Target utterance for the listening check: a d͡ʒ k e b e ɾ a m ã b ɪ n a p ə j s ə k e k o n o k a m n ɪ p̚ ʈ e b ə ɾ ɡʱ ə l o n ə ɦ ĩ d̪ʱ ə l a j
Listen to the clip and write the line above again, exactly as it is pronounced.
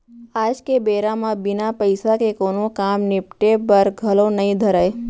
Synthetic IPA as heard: a d͡ʒ k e b e ɾ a m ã b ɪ n a p ə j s a k e k o n o k a m n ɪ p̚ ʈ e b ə ɾ ɡʱ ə l o n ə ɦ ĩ d̪ʱ ə ɾ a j